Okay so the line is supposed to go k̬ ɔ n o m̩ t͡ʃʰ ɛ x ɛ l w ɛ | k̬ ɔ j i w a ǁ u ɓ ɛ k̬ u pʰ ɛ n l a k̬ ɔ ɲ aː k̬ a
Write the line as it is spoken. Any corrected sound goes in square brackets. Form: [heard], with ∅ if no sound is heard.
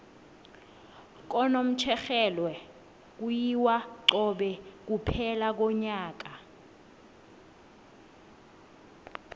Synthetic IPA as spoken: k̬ ɔ n o m̩ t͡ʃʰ ɛ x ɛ l w ɛ | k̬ [u] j i w a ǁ [ɔ] ɓ ɛ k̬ u pʰ ɛ [∅] l a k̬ ɔ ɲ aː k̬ a